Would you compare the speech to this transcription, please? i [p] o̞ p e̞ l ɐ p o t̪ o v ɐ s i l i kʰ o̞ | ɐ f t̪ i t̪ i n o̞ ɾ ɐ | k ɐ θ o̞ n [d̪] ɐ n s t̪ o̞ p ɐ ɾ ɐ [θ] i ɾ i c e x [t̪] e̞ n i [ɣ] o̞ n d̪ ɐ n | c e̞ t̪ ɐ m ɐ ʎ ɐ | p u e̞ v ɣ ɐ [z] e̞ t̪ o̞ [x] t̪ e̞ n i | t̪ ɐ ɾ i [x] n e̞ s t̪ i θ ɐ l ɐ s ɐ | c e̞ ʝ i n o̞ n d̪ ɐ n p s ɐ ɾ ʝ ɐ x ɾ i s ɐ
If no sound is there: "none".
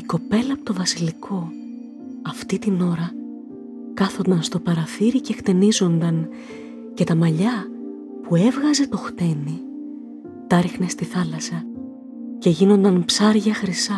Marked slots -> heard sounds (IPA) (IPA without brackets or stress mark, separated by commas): k, d̪, θ, t̪, z, z, x, x